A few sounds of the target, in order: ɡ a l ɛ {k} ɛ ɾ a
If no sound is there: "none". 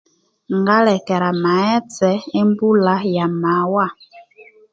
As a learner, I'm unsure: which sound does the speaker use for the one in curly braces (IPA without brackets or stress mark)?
k